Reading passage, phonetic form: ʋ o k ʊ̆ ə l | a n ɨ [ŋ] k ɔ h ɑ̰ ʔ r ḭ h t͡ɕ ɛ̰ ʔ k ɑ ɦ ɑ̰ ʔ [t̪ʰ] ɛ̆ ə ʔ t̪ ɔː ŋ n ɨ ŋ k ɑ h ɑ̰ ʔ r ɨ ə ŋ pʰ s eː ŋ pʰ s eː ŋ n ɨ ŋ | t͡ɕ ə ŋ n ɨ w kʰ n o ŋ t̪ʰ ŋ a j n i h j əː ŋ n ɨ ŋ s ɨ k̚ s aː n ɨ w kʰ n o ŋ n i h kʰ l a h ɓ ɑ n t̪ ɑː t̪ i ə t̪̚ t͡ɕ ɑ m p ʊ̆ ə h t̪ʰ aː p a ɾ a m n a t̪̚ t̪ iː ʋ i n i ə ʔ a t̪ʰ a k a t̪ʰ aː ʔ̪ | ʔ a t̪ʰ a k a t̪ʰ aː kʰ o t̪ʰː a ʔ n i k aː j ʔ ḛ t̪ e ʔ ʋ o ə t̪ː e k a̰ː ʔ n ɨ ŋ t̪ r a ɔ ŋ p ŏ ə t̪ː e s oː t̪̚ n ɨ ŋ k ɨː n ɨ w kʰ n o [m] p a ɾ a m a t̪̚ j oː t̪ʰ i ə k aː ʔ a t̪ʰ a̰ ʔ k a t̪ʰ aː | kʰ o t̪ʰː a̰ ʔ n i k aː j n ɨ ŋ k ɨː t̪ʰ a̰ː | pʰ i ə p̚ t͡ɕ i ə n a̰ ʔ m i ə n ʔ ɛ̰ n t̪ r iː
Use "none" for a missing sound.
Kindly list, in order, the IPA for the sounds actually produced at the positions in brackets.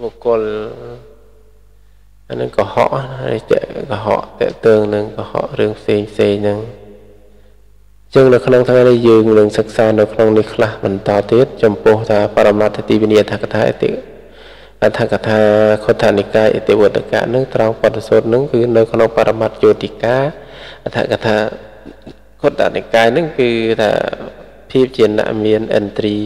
ŋ, t̪, ŋ

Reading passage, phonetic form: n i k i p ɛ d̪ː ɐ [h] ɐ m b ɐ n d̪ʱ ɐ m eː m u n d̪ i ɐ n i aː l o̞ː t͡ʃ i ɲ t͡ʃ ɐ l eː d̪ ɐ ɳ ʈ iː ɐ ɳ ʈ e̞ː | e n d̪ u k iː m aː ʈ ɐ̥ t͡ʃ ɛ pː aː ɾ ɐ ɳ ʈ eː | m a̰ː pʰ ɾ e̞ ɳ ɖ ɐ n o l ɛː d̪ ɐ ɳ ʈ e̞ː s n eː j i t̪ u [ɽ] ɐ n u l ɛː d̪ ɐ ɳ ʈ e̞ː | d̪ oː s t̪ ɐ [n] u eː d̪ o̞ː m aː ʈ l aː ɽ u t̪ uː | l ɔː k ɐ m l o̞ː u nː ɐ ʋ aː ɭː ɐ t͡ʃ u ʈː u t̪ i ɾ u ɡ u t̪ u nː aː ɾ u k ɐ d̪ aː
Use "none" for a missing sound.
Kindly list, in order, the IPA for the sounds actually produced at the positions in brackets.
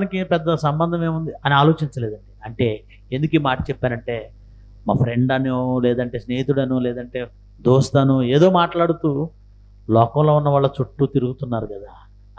s, ɽ, n

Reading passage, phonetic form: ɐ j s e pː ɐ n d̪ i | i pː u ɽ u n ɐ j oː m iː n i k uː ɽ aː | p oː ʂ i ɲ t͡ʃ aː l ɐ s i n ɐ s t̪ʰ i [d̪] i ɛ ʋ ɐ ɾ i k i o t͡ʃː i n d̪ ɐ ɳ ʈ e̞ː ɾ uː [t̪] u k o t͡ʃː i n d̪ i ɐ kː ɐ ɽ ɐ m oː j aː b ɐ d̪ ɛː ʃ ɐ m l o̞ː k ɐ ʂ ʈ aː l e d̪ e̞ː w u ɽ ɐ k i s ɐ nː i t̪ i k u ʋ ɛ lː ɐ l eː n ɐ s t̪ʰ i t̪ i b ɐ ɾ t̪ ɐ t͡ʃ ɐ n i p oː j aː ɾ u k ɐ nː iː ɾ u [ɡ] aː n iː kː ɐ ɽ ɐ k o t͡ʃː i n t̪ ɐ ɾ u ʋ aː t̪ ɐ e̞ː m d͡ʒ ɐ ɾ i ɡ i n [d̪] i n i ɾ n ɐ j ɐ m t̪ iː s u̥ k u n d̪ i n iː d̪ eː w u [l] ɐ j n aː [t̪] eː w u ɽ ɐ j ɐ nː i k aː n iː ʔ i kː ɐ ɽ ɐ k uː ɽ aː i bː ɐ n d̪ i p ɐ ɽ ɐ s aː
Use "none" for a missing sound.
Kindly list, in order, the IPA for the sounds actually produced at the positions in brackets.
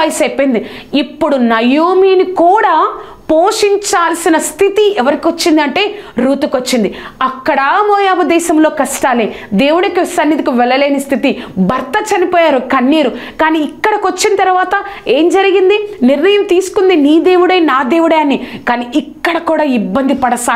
t̪, t̪, k, d̪, ɽ, d̪

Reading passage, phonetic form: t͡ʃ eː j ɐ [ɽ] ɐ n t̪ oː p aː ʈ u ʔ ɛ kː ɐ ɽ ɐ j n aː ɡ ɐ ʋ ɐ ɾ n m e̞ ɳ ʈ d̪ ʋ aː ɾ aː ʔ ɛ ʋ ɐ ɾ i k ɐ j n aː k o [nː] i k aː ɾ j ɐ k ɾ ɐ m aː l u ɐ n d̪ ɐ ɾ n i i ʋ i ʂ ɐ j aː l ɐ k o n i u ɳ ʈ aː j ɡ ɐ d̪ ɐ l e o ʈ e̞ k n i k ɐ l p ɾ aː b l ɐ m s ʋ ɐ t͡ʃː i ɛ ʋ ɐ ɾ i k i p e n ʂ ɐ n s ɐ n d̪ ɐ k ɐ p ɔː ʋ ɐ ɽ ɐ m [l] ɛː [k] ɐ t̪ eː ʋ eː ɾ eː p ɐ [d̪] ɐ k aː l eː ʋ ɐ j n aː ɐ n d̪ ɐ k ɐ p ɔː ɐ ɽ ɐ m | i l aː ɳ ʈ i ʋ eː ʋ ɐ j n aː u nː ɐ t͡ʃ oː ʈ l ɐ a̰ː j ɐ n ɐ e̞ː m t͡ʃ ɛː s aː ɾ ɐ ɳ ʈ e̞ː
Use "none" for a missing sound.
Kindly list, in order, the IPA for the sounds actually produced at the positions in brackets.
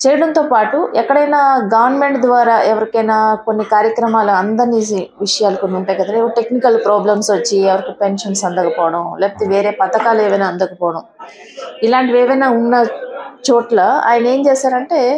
ɽ, nː, l, p, t̪

